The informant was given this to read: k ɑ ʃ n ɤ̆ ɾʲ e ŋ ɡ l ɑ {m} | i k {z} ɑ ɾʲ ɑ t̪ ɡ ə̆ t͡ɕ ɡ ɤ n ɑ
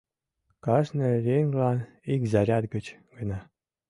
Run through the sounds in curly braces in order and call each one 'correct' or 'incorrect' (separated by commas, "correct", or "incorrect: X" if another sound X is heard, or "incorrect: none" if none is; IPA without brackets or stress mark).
incorrect: n, correct